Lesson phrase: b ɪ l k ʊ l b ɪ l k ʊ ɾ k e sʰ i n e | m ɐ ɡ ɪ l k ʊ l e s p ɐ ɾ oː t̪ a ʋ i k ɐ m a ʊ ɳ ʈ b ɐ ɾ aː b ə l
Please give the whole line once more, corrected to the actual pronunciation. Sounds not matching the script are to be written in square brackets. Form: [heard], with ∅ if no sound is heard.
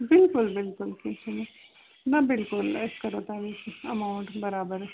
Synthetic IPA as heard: b ɪ l k ʊ l b ɪ l k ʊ [l] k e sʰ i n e | [n] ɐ [b] ɪ l k ʊ l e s [k] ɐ ɾ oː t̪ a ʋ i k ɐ m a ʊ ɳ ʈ b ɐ ɾ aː b ə [ɾ]

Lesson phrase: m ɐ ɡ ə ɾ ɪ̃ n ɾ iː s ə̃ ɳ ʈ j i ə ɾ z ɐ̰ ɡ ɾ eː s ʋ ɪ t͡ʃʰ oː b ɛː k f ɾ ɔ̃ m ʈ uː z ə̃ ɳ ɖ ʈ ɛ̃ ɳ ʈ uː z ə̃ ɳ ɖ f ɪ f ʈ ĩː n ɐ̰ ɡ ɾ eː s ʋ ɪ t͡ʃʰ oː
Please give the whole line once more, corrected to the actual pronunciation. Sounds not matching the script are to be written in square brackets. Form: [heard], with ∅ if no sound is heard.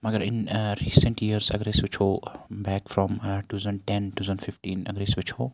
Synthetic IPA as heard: m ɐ ɡ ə ɾ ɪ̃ n ɾ iː s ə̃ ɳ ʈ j i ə ɾ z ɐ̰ ɡ ɾ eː s ʋ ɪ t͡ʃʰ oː b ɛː k f ɾ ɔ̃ m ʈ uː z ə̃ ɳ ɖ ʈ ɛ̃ [n] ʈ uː z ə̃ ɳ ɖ f ɪ f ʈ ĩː n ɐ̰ ɡ ɾ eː s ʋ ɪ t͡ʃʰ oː

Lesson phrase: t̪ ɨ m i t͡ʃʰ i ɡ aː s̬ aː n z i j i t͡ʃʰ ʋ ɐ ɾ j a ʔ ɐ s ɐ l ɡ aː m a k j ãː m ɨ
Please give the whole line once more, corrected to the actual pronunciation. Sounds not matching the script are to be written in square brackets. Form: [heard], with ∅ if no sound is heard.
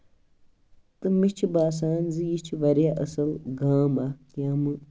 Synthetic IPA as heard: t̪ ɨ m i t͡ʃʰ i [b] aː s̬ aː n z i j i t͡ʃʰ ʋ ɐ ɾ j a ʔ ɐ s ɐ l ɡ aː m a k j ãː m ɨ

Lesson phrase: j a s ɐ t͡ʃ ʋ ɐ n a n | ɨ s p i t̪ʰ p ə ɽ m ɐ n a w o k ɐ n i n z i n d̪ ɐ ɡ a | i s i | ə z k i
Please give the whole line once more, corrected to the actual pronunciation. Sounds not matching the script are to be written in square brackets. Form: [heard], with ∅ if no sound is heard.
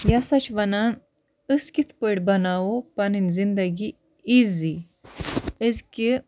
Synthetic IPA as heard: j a s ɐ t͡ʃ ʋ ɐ n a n | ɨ s [k] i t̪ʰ p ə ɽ [b] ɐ n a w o [p] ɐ n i n z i n d̪ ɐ ɡ [i] | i [z] i | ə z k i

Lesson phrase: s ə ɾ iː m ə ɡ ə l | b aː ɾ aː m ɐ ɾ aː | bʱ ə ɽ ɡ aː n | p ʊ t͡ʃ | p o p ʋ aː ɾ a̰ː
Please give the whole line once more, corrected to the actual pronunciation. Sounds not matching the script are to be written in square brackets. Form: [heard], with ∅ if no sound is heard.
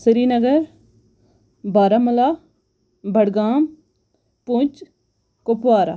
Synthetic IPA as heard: s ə ɾ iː [n] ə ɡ ə [ɾ] | b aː ɾ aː m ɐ [l] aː | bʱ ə ɽ ɡ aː [m] | p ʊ t͡ʃ | [k] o p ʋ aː ɾ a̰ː

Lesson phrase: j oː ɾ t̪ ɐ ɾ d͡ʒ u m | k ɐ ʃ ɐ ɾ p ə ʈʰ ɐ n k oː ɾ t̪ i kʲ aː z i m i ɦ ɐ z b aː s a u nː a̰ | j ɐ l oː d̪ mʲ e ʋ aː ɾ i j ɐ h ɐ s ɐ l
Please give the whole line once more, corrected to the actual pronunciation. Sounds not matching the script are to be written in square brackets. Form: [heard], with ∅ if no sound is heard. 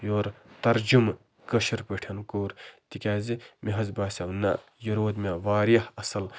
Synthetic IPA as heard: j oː ɾ t̪ ɐ ɾ d͡ʒ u m | k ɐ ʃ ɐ ɾ p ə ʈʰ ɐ n k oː ɾ t̪ i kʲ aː z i m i ɦ ɐ z b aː s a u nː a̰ | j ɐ [ɾ] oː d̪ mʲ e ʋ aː ɾ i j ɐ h ɐ s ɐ l

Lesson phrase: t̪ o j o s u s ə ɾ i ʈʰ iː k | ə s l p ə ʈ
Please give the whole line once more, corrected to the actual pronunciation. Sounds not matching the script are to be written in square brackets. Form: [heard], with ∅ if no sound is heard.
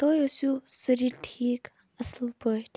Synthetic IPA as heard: t̪ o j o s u s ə ɾ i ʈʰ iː k | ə s l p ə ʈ

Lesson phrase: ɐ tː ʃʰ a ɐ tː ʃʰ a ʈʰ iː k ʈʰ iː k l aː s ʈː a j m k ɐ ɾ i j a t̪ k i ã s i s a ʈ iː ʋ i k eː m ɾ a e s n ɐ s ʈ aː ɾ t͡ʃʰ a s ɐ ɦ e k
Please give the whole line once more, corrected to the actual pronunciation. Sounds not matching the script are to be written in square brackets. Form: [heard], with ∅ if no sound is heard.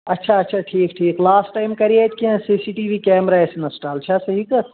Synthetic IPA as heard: ɐ tː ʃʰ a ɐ tː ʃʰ a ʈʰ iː k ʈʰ iː k l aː s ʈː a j m k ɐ ɾ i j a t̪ k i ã s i s [i] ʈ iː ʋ i k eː m ɾ a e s n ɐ s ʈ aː [l] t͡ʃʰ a s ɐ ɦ [i] k

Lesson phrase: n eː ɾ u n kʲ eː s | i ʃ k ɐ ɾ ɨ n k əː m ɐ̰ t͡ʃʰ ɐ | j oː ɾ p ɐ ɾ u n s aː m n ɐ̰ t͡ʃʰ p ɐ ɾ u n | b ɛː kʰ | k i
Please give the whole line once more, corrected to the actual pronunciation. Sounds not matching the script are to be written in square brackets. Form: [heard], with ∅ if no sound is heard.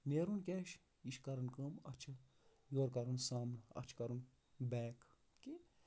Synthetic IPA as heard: n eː ɾ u n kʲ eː [ʃ] | i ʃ k ɐ ɾ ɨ n k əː m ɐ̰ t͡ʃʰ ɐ | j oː ɾ [k] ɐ ɾ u n s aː m n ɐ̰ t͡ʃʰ [k] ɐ ɾ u n | b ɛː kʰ | k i

